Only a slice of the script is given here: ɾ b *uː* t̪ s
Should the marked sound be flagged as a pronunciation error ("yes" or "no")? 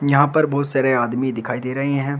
yes